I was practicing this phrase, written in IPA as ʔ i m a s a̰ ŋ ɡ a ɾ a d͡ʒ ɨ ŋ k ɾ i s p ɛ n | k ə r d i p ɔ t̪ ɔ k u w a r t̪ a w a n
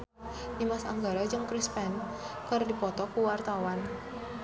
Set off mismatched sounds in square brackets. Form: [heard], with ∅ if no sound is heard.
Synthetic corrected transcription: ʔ i m a s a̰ ŋ ɡ a ɾ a d͡ʒ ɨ ŋ k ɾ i s p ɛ n | k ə r d i p ɔ t̪ ɔ k u w a r t̪ a w a n